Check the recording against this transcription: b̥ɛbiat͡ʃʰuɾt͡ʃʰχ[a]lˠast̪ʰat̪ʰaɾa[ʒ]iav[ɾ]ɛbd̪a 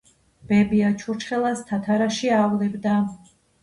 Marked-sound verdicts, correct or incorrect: incorrect, incorrect, incorrect

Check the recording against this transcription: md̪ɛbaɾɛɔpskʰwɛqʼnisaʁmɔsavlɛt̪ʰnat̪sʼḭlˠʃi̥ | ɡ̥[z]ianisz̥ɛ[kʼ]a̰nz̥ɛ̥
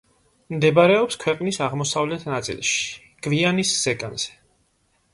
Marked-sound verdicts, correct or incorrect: incorrect, correct

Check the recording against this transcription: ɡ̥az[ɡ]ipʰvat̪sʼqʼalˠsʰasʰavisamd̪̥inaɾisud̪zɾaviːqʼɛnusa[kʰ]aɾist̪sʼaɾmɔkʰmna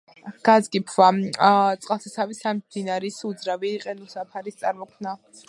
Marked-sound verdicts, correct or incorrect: correct, incorrect

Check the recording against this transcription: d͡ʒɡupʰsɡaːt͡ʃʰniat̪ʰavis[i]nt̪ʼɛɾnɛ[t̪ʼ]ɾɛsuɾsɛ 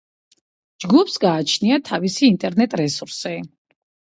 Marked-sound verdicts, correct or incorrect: incorrect, correct

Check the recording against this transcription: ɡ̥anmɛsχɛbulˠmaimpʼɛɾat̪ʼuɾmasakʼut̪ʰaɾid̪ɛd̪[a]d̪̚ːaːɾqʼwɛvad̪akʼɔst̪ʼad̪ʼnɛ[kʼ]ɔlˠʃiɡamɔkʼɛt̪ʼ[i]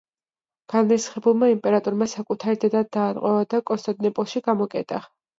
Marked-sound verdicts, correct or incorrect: correct, incorrect, incorrect

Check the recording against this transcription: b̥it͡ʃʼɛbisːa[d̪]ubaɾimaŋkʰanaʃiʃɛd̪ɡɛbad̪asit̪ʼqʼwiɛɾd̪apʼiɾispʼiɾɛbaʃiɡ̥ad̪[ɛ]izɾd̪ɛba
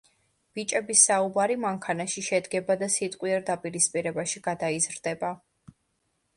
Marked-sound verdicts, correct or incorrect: incorrect, incorrect

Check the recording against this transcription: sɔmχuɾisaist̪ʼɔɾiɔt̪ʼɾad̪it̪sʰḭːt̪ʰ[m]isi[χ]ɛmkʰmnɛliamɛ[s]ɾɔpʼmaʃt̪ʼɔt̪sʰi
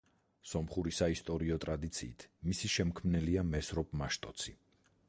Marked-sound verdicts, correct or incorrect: correct, incorrect, correct

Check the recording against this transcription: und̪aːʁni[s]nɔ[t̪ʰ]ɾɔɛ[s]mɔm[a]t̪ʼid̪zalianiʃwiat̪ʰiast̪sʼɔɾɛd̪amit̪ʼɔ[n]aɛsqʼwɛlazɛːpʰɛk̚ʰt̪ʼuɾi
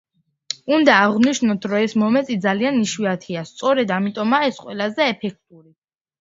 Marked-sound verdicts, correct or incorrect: incorrect, correct, correct, incorrect, incorrect

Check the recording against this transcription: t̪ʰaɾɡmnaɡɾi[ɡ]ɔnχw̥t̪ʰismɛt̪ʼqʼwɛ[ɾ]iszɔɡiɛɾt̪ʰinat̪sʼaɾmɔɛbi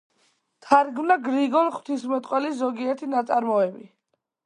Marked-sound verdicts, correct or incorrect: correct, incorrect

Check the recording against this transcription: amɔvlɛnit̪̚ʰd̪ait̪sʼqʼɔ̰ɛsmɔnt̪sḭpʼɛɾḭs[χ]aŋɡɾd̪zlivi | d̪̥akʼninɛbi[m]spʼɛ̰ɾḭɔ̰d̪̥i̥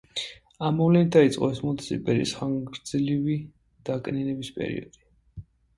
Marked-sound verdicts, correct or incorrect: correct, incorrect

